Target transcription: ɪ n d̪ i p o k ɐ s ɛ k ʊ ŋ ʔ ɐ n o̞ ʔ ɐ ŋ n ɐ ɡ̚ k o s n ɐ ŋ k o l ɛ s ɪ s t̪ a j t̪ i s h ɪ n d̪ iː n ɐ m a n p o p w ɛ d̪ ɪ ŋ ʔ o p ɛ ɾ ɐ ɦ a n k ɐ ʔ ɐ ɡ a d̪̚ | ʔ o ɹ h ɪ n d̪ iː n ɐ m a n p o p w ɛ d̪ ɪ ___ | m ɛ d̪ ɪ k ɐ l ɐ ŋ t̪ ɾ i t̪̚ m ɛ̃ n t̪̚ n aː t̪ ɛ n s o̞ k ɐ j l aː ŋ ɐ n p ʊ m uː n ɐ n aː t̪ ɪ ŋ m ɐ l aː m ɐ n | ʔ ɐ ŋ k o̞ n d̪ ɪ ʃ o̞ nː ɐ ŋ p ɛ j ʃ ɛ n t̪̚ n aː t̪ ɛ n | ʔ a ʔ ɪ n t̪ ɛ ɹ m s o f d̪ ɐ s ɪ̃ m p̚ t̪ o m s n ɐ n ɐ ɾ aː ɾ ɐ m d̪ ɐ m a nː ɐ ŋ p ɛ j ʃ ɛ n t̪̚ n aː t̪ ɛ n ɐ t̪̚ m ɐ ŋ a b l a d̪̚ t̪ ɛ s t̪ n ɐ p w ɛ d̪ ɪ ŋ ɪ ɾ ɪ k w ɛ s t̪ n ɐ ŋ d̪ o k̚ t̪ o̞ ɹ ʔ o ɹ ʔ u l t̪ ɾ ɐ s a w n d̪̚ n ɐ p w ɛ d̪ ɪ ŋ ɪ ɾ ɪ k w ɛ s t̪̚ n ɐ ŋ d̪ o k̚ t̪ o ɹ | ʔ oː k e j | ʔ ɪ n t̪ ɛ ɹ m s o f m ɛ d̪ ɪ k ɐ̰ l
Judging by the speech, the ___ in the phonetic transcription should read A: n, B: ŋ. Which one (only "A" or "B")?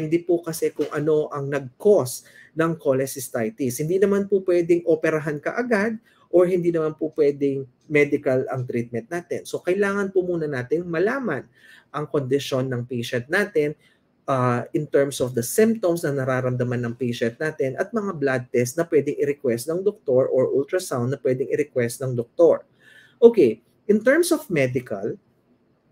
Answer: B